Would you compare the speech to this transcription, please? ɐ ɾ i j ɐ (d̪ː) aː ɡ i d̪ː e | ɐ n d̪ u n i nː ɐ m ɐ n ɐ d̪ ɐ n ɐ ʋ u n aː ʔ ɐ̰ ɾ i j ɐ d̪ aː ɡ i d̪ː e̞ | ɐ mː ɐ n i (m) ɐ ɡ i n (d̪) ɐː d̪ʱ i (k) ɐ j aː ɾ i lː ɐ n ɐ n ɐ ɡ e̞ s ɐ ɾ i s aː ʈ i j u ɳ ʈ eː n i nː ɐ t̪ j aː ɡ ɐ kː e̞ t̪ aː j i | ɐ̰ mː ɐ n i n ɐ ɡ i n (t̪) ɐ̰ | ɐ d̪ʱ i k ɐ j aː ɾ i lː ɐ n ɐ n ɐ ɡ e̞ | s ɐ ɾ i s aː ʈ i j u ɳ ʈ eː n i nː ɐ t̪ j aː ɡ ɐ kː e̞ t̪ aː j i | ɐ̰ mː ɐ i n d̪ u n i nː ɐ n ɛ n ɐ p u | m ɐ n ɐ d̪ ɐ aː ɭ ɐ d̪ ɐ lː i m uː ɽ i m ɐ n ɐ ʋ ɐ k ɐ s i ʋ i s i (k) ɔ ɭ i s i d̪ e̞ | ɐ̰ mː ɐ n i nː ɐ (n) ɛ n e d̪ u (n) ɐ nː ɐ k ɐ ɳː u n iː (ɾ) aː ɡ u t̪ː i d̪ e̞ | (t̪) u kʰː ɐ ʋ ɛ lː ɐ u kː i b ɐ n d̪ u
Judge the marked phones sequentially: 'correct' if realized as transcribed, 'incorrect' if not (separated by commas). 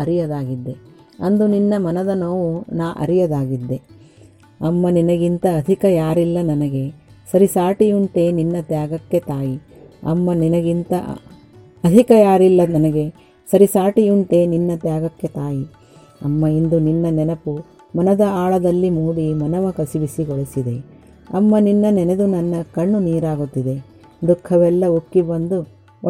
incorrect, incorrect, incorrect, correct, correct, incorrect, correct, correct, correct, incorrect